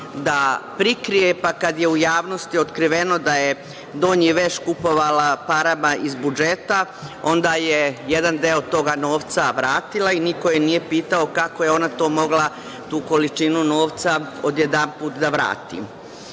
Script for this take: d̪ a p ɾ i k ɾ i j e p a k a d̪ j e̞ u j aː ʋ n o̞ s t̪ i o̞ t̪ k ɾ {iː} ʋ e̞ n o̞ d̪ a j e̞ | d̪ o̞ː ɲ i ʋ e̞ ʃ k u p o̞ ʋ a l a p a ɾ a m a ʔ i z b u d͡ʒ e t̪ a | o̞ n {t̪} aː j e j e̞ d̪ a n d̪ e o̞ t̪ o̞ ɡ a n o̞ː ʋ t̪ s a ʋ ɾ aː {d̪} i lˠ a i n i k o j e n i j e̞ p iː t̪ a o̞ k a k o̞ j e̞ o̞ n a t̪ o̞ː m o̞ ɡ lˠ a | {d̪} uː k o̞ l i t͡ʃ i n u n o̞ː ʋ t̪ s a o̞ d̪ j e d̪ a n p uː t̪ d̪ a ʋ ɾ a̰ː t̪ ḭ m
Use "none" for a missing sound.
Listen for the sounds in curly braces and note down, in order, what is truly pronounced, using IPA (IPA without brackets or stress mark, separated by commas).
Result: i, d̪, t̪, t̪